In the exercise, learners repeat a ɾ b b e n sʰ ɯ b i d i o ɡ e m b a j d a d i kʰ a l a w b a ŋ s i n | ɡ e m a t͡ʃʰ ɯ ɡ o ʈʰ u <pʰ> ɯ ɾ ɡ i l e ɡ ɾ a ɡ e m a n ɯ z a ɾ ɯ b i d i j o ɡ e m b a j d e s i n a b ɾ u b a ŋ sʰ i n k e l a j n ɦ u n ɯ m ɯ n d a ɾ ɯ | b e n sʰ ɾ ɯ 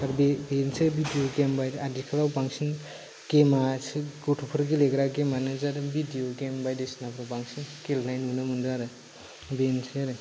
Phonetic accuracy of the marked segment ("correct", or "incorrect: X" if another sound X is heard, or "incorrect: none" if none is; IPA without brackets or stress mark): correct